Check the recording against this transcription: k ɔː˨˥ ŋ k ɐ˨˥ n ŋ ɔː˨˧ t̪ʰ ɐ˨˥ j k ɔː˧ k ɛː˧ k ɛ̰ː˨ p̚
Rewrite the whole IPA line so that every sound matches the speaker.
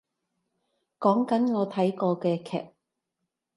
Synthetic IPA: k ɔː˨˥ ŋ k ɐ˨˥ n ŋ ɔː˨˧ t̪ʰ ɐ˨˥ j k ɔː˧ k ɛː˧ kʰ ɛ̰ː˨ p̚